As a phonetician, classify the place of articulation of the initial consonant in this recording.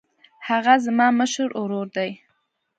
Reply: glottal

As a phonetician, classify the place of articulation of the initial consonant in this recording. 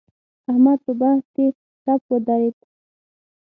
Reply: glottal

